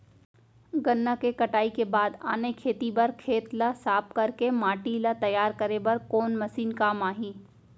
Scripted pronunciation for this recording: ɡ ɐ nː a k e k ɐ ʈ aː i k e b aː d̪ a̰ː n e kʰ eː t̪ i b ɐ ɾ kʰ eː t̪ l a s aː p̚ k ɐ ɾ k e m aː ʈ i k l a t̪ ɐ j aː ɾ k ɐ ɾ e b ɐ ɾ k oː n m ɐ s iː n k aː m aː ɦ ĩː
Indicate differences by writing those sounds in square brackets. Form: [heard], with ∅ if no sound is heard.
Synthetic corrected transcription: ɡ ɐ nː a k e k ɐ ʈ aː i k e b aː d̪ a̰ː n e kʰ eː t̪ i b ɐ ɾ kʰ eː t̪ l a s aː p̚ k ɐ ɾ k e m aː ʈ i [∅] l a t̪ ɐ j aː ɾ k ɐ ɾ e b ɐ ɾ k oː n m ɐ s iː n k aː m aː ɦ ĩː